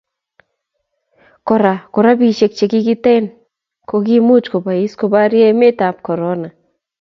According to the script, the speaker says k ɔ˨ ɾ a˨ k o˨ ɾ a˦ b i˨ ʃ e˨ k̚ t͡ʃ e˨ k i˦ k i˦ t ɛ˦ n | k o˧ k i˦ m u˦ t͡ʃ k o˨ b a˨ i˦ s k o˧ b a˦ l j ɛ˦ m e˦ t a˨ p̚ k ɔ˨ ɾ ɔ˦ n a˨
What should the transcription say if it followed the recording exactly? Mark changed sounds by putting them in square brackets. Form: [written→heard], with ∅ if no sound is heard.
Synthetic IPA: k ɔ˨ ɾ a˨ k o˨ ɾ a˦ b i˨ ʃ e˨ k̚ t͡ʃ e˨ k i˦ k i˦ t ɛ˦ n | k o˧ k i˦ m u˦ t͡ʃ k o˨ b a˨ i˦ s k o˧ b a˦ [l→ɾ] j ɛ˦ m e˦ t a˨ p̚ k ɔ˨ ɾ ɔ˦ n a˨